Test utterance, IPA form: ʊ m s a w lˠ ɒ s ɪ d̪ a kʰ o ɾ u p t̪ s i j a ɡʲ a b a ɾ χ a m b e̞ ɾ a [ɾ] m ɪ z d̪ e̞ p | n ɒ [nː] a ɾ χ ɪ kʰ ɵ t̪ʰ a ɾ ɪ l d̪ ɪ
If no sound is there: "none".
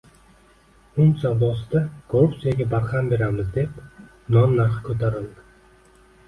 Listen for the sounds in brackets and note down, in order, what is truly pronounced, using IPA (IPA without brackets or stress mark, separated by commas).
none, nː